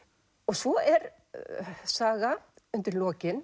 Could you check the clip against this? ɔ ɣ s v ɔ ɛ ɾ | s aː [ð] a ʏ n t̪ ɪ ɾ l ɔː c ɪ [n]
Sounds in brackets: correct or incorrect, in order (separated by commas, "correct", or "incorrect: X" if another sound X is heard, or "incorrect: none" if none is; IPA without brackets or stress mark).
incorrect: ɣ, correct